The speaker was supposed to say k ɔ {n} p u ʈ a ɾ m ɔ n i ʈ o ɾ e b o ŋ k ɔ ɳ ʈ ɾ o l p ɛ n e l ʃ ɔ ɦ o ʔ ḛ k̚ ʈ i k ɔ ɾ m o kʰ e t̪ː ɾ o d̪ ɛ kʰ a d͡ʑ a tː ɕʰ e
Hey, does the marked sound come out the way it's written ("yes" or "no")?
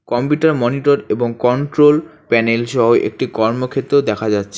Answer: no